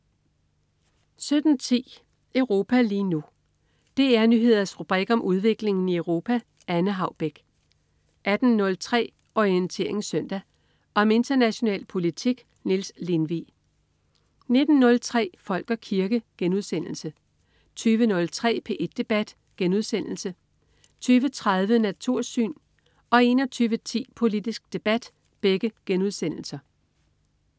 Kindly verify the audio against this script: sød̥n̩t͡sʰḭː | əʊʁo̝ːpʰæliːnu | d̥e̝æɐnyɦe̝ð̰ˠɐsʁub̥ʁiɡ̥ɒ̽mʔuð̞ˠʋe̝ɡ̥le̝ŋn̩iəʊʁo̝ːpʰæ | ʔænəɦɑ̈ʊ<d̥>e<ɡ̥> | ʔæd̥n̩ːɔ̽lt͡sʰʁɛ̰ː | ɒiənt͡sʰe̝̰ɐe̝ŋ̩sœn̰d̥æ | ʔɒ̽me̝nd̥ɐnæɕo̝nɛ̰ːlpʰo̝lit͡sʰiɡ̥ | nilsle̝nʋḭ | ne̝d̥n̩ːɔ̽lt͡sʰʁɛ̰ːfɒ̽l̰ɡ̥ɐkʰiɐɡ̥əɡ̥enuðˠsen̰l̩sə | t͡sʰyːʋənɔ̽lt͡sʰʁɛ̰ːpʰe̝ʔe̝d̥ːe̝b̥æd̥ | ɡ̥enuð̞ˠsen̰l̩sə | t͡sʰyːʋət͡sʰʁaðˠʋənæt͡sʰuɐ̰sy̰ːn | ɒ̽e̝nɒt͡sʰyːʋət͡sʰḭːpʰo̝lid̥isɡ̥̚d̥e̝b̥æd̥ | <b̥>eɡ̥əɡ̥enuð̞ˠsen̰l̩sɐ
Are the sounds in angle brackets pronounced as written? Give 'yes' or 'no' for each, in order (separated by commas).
no, yes, yes